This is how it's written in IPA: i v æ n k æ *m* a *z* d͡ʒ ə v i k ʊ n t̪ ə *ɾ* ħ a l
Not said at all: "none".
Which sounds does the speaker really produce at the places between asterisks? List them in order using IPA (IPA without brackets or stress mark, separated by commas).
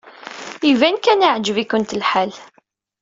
n, ʕ, l